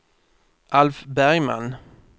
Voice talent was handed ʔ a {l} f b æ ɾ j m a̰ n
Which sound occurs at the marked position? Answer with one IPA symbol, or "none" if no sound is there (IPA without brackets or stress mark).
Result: l